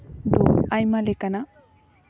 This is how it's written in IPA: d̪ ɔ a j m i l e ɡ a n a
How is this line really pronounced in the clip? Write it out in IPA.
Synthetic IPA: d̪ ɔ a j m a l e k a n a